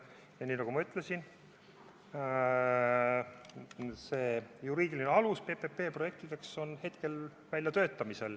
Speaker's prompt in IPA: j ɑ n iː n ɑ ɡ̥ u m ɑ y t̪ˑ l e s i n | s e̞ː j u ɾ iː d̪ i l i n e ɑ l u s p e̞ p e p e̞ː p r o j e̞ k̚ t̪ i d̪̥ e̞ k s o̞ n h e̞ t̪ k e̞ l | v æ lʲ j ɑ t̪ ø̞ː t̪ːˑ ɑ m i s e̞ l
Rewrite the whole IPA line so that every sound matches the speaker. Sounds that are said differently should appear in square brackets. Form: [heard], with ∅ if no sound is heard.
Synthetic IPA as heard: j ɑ n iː n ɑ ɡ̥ u m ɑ y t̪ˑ l e s i n | s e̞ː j u ɾ iː d̪ i l i n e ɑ l u s p e̞ p e p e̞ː p r o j e̞ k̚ t̪ i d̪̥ e̞ k s o̞ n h e̞ t̪ k e̞ l | v æ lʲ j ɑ t̪ ø̞ː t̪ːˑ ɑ m i s e̞ l